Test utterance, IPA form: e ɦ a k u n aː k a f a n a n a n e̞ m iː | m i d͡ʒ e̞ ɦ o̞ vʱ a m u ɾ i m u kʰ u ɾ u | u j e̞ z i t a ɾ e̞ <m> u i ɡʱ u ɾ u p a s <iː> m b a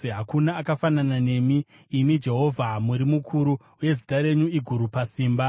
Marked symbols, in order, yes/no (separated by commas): no, yes